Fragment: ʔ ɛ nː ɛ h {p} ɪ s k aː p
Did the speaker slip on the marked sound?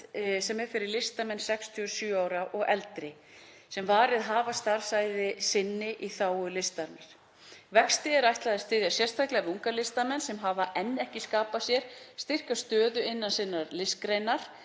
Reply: yes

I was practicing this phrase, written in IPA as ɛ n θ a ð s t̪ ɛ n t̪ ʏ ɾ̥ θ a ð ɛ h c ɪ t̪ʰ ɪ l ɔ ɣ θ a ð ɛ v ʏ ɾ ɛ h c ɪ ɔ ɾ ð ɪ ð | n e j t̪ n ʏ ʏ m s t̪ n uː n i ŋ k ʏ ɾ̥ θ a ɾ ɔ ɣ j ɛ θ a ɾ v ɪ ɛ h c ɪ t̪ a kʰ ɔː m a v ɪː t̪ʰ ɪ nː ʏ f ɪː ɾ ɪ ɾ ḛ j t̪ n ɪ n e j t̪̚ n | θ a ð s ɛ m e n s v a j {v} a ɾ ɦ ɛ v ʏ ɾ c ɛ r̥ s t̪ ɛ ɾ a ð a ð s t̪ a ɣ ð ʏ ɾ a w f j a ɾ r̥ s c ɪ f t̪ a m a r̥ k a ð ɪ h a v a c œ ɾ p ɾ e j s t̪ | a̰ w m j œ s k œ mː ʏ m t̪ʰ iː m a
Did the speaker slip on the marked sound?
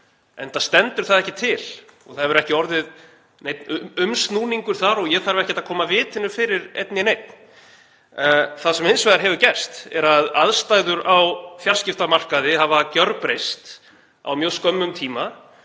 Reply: yes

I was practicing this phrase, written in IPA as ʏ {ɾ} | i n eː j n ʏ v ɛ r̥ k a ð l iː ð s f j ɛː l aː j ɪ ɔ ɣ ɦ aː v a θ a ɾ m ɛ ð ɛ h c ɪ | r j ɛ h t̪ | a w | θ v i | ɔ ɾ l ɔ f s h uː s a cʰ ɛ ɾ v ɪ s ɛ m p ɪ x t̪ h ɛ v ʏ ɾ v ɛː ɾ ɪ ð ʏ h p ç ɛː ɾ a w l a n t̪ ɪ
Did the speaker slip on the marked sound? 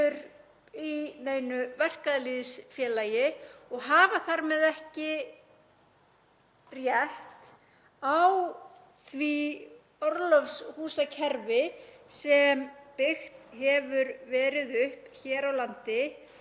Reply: no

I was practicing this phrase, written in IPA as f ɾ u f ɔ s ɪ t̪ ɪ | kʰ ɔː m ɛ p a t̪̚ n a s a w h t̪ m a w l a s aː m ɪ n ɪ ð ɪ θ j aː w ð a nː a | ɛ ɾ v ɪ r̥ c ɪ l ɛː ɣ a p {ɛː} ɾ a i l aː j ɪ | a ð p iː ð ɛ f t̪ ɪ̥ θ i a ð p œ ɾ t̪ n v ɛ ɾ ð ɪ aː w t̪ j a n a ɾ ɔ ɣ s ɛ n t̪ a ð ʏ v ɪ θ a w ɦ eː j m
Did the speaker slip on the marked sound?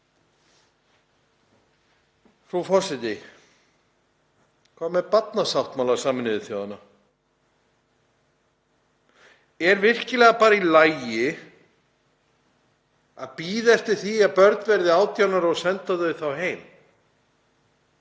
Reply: yes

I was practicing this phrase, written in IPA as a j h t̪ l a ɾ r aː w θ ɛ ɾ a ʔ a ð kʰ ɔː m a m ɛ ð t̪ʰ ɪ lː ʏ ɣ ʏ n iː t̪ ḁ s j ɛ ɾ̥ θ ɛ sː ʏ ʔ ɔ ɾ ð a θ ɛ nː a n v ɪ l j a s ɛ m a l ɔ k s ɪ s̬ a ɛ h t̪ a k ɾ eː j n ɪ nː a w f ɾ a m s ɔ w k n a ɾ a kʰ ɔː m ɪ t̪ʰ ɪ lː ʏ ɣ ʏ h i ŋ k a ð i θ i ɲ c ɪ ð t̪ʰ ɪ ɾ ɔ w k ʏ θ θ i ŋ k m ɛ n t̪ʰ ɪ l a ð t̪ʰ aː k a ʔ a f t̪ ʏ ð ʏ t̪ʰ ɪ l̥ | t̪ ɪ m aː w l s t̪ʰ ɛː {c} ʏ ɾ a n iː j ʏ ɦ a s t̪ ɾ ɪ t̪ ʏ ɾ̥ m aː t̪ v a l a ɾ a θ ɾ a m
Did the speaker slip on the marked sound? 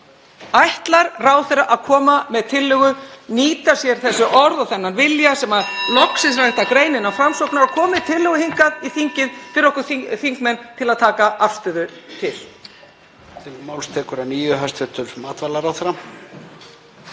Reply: yes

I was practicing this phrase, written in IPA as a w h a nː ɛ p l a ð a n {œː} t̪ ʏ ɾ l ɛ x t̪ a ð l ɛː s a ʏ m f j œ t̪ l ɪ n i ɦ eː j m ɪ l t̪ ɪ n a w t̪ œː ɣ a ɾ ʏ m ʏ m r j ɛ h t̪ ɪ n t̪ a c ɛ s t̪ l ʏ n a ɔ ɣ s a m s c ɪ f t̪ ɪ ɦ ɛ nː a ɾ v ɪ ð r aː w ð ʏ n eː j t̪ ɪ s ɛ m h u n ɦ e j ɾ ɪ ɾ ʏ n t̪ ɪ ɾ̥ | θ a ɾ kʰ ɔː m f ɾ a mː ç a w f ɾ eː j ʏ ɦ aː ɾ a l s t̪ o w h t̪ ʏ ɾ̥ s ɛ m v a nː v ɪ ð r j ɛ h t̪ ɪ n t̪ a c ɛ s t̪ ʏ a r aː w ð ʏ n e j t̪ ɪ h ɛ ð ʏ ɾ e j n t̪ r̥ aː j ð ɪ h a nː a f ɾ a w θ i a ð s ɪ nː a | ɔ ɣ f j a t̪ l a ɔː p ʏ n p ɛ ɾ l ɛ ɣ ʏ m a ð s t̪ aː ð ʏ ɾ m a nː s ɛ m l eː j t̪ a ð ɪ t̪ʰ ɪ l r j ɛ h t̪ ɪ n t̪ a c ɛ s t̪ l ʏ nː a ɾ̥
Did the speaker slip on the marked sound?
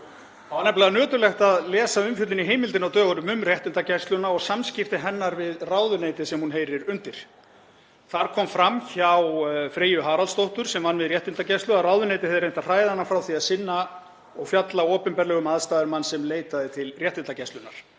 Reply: no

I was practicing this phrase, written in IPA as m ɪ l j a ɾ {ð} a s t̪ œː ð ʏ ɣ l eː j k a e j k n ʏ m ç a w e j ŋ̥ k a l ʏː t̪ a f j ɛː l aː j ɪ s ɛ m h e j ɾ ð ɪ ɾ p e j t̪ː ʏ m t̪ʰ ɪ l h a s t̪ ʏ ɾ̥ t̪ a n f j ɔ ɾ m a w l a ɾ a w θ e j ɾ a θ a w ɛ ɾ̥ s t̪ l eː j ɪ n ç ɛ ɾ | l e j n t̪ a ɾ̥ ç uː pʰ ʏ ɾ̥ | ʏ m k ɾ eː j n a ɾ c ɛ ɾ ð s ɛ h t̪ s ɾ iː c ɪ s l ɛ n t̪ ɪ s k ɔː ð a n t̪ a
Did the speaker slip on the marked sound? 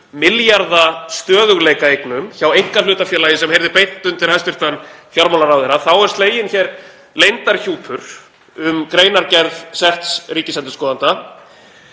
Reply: no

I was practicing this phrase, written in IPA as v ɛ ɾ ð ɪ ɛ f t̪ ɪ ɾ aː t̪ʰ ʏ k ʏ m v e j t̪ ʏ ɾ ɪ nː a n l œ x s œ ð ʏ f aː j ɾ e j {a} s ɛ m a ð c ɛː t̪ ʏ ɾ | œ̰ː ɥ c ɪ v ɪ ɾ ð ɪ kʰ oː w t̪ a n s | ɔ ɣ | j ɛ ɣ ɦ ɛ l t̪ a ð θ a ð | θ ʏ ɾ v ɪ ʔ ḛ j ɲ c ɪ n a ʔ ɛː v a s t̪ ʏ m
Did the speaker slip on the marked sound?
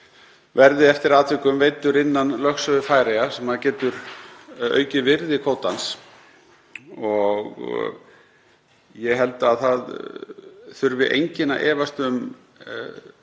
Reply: no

